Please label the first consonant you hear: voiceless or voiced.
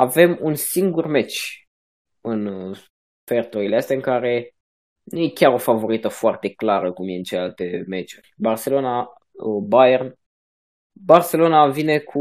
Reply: voiced